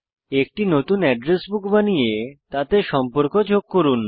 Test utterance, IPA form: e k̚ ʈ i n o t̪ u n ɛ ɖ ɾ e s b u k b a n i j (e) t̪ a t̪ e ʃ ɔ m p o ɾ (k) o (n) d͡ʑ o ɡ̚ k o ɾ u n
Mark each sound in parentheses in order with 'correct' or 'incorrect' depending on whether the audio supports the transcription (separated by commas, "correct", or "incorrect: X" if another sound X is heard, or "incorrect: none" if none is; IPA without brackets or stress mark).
correct, correct, incorrect: none